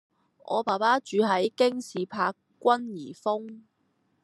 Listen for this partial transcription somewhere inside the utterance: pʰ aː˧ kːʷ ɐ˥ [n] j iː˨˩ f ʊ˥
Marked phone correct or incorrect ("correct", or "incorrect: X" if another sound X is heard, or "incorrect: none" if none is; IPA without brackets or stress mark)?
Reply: correct